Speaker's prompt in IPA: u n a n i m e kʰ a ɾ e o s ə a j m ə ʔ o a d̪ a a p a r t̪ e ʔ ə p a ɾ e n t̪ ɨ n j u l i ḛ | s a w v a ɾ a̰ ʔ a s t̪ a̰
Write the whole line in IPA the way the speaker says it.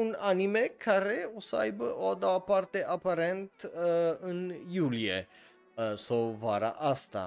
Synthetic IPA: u n a n i m e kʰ a ɾ e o s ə a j b ə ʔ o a d̪ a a p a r t̪ e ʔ a p a ɾ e n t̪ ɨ n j u l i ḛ | s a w v a ɾ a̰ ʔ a s t̪ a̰